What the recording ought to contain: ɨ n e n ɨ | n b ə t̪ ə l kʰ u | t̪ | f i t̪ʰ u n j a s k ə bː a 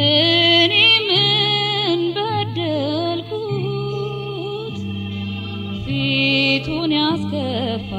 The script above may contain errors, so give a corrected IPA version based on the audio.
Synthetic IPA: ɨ n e m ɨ | n b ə d̪ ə l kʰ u | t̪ | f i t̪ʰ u n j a s k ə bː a

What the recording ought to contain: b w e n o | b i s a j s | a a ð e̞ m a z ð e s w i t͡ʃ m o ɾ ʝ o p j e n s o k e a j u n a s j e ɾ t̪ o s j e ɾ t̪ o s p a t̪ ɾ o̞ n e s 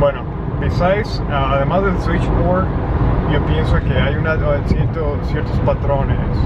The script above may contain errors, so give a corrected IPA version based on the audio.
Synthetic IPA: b w e n o | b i s a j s | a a ð e̞ m a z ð e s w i t͡ʃ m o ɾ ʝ o p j e n s o k e a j u n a s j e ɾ t̪ o s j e ɾ t̪ o s p a t̪ ɾ o̞ n e s

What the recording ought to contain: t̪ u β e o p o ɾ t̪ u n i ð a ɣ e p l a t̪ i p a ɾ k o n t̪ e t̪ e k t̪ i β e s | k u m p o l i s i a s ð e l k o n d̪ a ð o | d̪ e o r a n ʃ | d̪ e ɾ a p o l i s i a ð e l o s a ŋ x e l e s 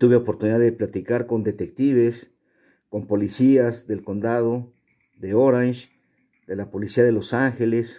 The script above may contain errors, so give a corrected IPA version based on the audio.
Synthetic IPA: t̪ u β e o p o ɾ t̪ u n i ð a ð e p l a t̪ i k a ɾ k o n d̪ e t̪ e k t̪ i β e s | k o m p o l i s i a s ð e l k o n d̪ a ð o | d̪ e o ɾ a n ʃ | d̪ e l a p o l i s i a ð e l o s a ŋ x e l e s

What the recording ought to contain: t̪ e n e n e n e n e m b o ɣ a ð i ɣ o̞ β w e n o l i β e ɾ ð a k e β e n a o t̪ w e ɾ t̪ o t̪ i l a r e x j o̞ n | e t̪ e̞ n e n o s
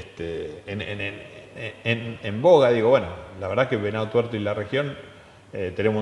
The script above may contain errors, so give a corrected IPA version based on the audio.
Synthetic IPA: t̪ e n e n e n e n e m b o ɣ a ð i ɣ o̞ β w e n o l a β e ɾ ð a k e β e n a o t̪ w e ɾ t̪ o i l a r e x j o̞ n | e t̪ e̞ n e m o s

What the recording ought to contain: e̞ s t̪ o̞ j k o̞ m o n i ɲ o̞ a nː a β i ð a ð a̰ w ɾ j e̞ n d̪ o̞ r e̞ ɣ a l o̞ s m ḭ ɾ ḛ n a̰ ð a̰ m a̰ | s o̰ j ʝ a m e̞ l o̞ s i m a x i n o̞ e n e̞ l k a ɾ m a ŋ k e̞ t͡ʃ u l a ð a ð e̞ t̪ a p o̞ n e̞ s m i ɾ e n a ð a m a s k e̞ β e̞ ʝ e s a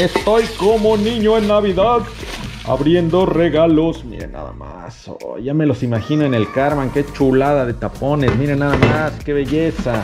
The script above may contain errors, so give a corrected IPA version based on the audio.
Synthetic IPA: e̞ s t̪ o̞ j k o̞ m o n i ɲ o̞ e nː a β i ð a ð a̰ β ɾ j e̞ n d̪ o̞ r e̞ ɣ a l o̞ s m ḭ ɾ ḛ n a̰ ð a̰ m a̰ | s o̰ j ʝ a m e̞ l o̞ s i m a x i n o̞ e n e̞ l k a ɾ m a ŋ k e̞ t͡ʃ u l a ð a ð e̞ t̪ a p o̞ n e̞ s m i ɾ e n a ð a m a s k e̞ β e̞ ʝ e s a

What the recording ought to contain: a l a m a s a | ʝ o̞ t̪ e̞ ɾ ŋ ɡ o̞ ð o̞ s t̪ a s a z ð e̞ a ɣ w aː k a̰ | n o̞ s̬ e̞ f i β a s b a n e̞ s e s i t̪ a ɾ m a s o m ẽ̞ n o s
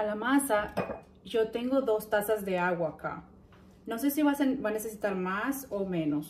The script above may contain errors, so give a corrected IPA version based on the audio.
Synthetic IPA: a l a m a s a | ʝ o̞ t̪ e̞ ŋ ɡ o̞ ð o̞ s t̪ a s a z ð e̞ a ɣ w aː k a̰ | n o̞ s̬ e̞ s i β a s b a n e̞ s e s i t̪ a ɾ m a s o m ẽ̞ n o s

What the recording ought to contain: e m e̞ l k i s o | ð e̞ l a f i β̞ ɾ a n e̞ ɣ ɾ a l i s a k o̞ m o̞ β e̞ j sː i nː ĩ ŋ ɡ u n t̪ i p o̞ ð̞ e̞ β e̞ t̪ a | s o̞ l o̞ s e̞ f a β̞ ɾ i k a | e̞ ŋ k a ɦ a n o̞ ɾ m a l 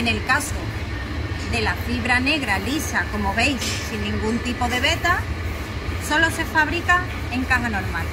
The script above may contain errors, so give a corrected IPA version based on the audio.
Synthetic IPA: e n e̞ l k a s o | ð e̞ l a f i β̞ ɾ a n e̞ ɣ ɾ a l i s a k o̞ m o̞ β e̞ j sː i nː ĩ ŋ ɡ u n t̪ i p o̞ ð̞ e̞ β e̞ t̪ a | s o̞ l o̞ s e̞ f a β̞ ɾ i k a | e̞ ŋ k a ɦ a n o̞ ɾ m a l

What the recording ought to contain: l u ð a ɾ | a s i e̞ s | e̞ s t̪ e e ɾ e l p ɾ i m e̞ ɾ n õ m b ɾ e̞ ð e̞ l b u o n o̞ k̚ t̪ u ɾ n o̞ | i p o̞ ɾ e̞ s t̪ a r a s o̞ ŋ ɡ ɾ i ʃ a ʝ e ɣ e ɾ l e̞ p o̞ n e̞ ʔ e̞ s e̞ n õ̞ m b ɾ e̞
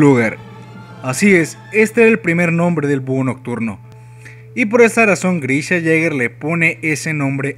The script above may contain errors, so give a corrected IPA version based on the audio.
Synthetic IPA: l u ɣ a ɾ | a s i e̞ s | e̞ s t̪ e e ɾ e l p ɾ i m e̞ ɾ n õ m b ɾ e̞ ð e̞ l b u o n o̞ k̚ t̪ u ɾ n o̞ | i p o̞ ɾ e̞ s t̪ a r a s o̞ ŋ ɡ ɾ i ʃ a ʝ e ɣ e ɾ l e̞ p o̞ n e̞ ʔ e̞ s e̞ n õ̞ m b ɾ e̞

